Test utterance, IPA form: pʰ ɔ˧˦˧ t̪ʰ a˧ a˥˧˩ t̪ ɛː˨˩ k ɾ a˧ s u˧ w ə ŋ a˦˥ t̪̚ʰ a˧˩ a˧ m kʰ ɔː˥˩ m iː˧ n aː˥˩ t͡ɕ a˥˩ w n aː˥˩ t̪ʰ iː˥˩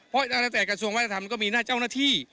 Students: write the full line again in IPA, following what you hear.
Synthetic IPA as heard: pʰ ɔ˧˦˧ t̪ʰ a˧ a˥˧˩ t̪ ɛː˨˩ k ɾ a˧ s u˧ ə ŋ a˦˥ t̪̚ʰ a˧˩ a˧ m k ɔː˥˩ m iː˧ n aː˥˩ t͡ɕ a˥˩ w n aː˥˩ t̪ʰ iː˥˩